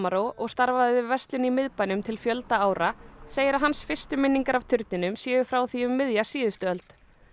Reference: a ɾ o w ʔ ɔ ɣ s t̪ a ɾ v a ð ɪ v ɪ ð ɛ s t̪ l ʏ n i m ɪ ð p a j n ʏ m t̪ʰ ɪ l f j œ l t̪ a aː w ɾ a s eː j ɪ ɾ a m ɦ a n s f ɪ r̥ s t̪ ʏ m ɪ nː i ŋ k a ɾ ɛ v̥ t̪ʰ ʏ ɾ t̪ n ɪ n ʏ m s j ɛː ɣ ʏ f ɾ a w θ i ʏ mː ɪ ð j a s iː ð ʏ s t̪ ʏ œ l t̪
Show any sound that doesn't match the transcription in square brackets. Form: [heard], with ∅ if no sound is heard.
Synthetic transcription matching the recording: a ɾ o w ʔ ɔ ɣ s t̪ a ɾ v a ð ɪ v ɪ [v] ɛ s t̪ l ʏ n i m ɪ ð p a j n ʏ m t̪ʰ ɪ l f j œ l t̪ a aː w ɾ a s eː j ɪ ɾ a [∅] ɦ a n s f ɪ r̥ s t̪ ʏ m ɪ nː i ŋ k a ɾ [a] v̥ t̪ʰ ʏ ɾ t̪ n ɪ n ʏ m s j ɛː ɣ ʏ f ɾ a w θ i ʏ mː ɪ ð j a s iː ð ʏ s t̪ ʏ œ l t̪